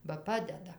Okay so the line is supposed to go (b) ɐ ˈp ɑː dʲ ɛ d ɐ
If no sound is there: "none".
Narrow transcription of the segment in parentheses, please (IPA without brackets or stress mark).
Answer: b